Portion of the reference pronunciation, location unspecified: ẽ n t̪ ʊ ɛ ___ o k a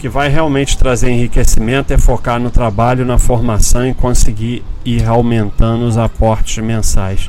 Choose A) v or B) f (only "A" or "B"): B